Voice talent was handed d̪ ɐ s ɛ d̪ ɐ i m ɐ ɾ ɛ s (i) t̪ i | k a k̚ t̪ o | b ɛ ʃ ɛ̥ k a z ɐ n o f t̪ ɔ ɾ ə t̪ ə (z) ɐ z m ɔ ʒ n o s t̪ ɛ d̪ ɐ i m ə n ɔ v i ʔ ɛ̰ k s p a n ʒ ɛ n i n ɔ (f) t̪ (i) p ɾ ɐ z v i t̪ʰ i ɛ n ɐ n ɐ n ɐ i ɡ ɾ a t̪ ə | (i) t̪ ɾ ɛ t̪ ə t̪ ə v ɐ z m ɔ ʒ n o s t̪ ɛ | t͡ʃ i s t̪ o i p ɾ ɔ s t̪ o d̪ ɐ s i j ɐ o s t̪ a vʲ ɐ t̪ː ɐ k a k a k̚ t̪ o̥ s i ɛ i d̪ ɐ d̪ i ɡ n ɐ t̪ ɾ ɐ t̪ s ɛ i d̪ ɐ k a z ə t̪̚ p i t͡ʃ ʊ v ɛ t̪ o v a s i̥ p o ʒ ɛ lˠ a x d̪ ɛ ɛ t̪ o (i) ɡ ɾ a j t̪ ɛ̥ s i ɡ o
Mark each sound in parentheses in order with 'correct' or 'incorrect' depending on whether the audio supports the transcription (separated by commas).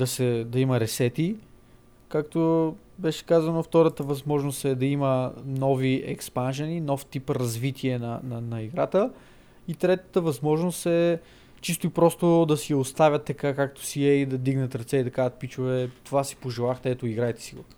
incorrect, incorrect, correct, correct, correct, correct